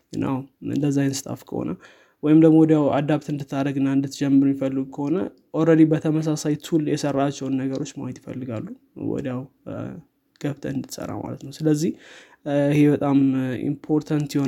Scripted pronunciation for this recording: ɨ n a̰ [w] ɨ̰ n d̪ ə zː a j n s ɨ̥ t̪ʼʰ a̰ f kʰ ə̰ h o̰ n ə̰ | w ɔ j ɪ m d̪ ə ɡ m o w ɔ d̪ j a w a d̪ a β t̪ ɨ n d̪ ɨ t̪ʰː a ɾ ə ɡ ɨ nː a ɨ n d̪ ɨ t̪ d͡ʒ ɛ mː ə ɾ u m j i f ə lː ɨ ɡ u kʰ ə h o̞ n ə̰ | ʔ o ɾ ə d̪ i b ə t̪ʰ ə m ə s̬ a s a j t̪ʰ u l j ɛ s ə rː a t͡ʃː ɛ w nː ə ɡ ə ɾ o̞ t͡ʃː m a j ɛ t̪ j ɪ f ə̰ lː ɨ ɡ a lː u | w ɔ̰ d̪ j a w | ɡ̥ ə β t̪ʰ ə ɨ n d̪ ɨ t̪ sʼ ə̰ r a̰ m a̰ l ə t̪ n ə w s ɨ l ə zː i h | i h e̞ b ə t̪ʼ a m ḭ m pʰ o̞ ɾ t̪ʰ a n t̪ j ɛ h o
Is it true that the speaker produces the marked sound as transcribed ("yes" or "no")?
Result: yes